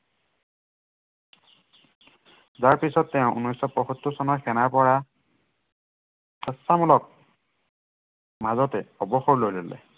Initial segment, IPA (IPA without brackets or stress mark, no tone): z